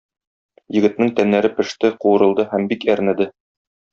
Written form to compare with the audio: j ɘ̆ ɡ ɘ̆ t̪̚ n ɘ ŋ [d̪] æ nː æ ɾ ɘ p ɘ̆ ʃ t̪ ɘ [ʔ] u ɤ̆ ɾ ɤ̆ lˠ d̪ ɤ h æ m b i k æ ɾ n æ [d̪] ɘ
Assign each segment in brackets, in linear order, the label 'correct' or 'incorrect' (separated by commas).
incorrect, incorrect, correct